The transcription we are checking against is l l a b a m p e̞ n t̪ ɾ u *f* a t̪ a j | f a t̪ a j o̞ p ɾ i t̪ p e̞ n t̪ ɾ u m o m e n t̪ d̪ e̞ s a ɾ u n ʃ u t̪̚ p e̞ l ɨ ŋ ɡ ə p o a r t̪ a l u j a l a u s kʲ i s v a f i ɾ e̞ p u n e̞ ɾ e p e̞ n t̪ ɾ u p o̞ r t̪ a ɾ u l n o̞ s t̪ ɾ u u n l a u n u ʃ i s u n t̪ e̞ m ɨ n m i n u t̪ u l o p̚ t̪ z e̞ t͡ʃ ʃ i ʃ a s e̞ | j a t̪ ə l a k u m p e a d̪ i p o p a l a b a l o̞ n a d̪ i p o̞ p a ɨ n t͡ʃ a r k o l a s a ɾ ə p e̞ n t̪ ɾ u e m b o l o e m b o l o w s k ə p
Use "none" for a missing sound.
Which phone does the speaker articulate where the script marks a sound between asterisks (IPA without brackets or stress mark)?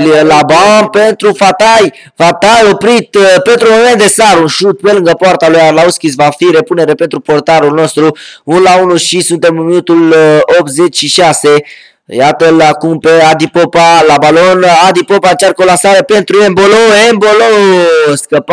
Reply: f